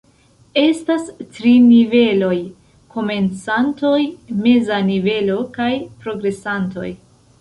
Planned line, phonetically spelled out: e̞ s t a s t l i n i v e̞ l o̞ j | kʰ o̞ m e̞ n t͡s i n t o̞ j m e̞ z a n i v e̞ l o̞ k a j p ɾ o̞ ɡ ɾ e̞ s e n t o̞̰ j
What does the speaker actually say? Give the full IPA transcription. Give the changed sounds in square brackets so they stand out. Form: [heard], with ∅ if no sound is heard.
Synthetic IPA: e̞ s t a s t [ɾ] i n i v e̞ l o̞ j | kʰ o̞ m e̞ n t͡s [a] n t o̞ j m e̞ z a n i v e̞ l o̞ k a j p ɾ o̞ ɡ ɾ e̞ s [a] n t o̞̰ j